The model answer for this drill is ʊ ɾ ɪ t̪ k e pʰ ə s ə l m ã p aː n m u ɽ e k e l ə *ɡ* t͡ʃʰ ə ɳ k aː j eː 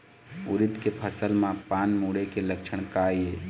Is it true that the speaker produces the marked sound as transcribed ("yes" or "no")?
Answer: no